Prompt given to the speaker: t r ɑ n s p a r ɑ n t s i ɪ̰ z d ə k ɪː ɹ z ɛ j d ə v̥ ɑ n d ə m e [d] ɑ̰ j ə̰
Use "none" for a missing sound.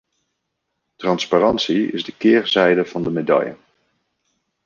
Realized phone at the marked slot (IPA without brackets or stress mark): d